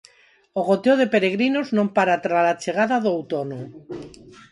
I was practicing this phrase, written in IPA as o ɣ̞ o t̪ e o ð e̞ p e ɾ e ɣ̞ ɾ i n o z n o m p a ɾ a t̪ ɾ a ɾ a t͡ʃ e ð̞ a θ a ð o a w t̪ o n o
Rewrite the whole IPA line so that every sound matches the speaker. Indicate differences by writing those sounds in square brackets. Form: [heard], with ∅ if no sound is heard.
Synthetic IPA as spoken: o ɣ̞ o t̪ e o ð e̞ p e ɾ e ɣ̞ ɾ i n o z n o m p a ɾ a t̪ ɾ a [l] a t͡ʃ e [ɣ̞] a [ð] a ð o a w t̪ o n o